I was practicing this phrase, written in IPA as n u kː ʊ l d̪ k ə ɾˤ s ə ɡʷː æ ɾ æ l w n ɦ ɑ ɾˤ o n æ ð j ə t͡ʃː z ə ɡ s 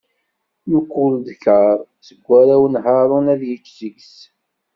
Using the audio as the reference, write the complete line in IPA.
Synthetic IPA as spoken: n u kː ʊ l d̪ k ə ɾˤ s ə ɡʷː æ ɾ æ w n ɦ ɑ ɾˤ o n æ ð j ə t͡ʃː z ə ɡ s